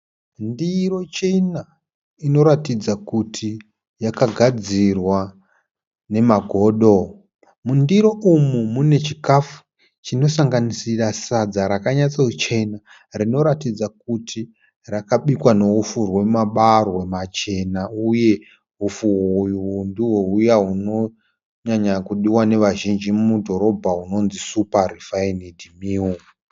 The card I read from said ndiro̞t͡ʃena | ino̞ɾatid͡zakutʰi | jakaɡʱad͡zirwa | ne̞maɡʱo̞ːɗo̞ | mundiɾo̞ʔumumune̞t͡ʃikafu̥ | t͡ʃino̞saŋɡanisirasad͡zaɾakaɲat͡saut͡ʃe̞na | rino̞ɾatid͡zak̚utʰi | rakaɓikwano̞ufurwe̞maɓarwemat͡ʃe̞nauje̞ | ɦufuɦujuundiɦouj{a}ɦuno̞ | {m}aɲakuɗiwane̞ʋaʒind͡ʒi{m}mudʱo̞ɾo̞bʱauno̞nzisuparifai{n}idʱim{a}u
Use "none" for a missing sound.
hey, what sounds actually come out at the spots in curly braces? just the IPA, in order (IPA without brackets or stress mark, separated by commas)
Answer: a, ɲ, m, n, i